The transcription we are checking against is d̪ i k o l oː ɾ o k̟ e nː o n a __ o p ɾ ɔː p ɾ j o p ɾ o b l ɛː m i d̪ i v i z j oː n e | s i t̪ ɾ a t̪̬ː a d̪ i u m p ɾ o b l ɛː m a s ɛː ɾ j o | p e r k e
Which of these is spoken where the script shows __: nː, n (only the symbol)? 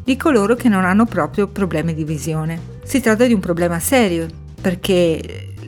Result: nː